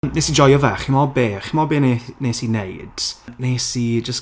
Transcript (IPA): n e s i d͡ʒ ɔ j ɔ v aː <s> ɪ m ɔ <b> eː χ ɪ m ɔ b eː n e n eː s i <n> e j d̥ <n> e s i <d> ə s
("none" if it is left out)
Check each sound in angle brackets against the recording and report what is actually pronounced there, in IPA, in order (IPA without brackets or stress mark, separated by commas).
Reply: χ, b, n, n, d͡ʒ